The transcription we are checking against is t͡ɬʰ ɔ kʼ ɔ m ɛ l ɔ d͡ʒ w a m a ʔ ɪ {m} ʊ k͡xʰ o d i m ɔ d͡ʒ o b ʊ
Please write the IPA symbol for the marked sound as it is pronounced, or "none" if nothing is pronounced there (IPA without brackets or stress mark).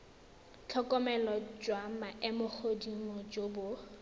m